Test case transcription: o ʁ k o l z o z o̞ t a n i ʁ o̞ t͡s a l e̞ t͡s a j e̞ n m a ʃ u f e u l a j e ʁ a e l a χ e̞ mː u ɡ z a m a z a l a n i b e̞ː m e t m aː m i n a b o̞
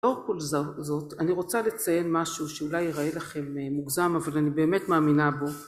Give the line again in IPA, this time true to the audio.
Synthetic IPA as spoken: o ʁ k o l z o z o̞ t a n i ʁ o̞ t͡s a l e̞ t͡s a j e̞ n m a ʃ u ʃ e u l a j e ʁ a e l a χ e̞ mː u ɡ z a m a v a l a n i b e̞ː m e t m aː m i n a b o̞